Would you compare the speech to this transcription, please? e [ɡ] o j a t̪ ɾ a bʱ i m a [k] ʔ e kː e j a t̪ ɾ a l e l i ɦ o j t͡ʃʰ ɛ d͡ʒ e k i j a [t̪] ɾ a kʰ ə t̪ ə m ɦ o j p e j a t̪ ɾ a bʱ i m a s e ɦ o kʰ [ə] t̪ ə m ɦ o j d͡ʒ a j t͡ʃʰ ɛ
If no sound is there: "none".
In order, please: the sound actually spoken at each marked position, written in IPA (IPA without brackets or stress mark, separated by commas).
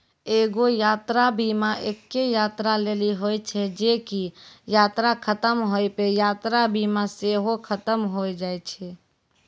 ɡ, none, t̪, ə